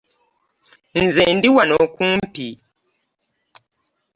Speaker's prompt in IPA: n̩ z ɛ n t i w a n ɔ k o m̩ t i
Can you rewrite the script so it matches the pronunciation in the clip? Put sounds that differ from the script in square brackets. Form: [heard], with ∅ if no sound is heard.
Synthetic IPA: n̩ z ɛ n [d] i w a n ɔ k [u] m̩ [p] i

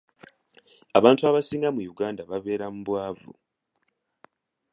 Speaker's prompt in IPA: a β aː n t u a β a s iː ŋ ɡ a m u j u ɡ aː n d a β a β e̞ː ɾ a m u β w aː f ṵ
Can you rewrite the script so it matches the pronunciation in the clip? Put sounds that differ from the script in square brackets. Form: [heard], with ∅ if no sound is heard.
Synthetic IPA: a β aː n t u a β a s iː ŋ ɡ a m u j u ɡ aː n d a β a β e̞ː ɾ a m u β w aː [v] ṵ

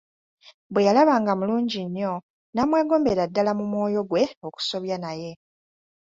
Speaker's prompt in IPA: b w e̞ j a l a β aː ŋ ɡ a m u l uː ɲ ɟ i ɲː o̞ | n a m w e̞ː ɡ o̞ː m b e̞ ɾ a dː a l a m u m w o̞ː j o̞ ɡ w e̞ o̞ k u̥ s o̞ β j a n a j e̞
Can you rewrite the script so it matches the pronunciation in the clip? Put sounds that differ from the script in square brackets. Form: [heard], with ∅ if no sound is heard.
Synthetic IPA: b w e̞ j a l a β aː ŋ ɡ a m u l uː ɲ ɟ i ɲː o̞ | n a m w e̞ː ɡ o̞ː m b e̞ ɾ a dː a l a m u m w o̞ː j o̞ ɡ w e̞ o̞ k u̥ s o̞ β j a n a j e̞

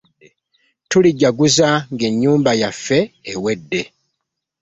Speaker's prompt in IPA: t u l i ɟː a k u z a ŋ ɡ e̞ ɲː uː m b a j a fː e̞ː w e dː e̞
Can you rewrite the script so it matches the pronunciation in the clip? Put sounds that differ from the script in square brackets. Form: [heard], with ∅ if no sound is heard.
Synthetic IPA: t u l i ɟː a [ɡ] u z a ŋ ɡ e̞ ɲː uː m b a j a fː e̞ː w e dː e̞

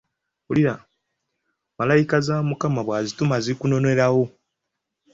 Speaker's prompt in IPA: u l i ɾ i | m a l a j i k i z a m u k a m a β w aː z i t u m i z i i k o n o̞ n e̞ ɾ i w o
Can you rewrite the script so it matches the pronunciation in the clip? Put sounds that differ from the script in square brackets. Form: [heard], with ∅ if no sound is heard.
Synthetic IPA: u l i ɾ [a] | m a l a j i k [a] z a m u k a m a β w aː z i t u m [a] z i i k [u] n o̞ n e̞ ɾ [a] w o

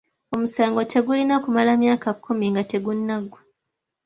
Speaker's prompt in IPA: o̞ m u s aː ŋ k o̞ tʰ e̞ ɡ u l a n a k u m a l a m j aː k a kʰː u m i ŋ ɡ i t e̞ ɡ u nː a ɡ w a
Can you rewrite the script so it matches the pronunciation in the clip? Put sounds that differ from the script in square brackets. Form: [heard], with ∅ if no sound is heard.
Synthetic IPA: o̞ m u s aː ŋ [ɡ] o̞ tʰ e̞ ɡ u l [i] n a k u m a l a m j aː k a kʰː u m i ŋ ɡ [a] t e̞ ɡ u nː a ɡ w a

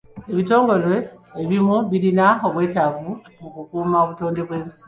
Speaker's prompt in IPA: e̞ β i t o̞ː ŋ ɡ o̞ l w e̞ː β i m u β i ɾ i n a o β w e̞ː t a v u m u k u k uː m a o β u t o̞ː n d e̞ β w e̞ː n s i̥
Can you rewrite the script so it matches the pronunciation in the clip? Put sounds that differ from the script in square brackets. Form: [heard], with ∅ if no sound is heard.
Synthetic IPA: e̞ β i t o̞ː ŋ ɡ o̞ l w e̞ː β i m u β i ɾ i n a o β w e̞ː t a v u m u k u k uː m a o β u t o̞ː n d e̞ β w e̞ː n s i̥

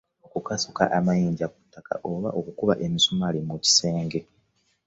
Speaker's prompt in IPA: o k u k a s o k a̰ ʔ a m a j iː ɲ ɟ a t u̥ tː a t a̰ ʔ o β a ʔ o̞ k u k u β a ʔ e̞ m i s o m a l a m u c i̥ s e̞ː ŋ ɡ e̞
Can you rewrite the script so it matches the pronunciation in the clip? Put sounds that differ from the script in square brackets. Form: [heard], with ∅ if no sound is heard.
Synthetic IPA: o k u k a s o k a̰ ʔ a m a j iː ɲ ɟ a [k] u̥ tː a [k] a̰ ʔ o β a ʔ o̞ k u k u β a ʔ e̞ m i s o m a l [i] m u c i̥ s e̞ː ŋ ɡ e̞

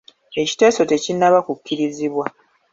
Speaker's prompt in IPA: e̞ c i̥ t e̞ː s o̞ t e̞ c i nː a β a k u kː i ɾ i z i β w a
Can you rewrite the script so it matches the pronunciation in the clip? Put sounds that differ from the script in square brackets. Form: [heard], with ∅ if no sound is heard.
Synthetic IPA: e̞ c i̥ t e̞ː s o̞ t e̞ c i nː a β a k u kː i ɾ i z i β w a

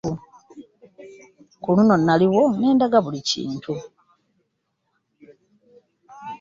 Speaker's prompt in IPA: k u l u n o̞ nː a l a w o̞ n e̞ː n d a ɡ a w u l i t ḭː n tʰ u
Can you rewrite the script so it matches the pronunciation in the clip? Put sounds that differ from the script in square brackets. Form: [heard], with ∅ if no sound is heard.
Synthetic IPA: k u l u n o̞ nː a l [i] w o̞ n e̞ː n d a ɡ a [β] u l i [c] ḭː n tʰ u

